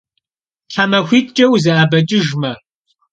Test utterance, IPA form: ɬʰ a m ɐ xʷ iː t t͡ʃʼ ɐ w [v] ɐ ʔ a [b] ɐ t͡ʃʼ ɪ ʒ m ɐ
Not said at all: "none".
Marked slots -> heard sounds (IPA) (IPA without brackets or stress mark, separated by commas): z, b